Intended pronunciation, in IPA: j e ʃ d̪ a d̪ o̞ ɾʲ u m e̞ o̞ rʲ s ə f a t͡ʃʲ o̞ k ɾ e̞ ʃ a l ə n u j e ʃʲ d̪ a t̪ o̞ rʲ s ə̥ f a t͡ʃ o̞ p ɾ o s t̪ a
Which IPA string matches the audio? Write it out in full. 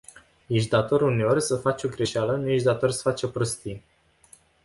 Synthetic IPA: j e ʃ d̪ a t̪ o̞ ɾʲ u n e̞ o̞ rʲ s ə f a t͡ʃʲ o̞ ɡ ɾ e̞ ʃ a l ə n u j e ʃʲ d̪ a t̪ o̞ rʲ s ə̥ f a t͡ʃ o̞ p ɾ o s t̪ i

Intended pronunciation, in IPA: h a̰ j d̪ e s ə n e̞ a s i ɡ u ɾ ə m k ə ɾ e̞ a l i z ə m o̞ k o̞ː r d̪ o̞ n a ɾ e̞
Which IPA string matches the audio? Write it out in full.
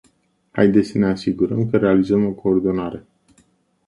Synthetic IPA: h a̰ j d̪ e s ə n e̞ a s i ɡ u ɾ ə m k ə ɾ e̞ a l i z ə m o̞ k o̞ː r d̪ o̞ n a ɾ e̞

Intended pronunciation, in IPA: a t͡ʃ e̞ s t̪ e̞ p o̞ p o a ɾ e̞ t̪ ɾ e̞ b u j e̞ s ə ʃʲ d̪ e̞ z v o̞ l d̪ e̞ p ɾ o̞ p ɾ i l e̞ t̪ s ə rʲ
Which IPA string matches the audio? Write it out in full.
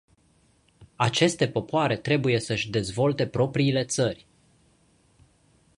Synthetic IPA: a t͡ʃ e̞ s t̪ e̞ p o̞ p o a ɾ e̞ t̪ ɾ e̞ b u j e̞ s ə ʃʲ d̪ e̞ z v o̞ l t̪ e̞ p ɾ o̞ p ɾ iː l e̞ t̪ s ə rʲ

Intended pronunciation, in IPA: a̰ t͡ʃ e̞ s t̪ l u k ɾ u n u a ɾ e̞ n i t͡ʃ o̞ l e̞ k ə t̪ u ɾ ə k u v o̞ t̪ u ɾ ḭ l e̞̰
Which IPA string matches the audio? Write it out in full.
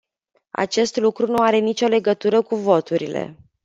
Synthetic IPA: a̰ t͡ʃ e̞ s t̪ l u k ɾ u n u a ɾ e̞ n i t͡ʃ o̞ l e̞ ɡ ə t̪ u ɾ ə k u v o̞ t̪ u ɾ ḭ l e̞̰

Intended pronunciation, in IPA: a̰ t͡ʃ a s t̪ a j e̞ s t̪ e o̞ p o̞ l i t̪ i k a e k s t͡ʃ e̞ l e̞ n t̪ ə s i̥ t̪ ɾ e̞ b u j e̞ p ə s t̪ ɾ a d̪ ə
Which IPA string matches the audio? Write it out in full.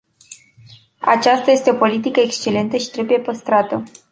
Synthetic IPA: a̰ t͡ʃ a s t̪ a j e̞ s t̪ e o̞ p o̞ l i t̪ i k ə e k s t͡ʃ e̞ l e̞ n t̪ ə ʃ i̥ t̪ ɾ e̞ b u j e̞ p ə s t̪ ɾ a t̪ ə

